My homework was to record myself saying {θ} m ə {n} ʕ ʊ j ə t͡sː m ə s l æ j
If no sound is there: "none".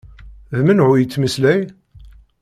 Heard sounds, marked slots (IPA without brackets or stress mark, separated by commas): ð, n